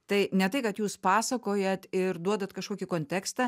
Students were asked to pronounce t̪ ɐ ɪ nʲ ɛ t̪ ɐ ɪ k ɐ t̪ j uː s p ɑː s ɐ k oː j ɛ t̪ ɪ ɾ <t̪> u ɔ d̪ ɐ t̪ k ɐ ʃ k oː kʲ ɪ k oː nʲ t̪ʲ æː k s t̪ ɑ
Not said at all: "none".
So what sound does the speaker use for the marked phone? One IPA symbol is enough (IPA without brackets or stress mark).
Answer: d̪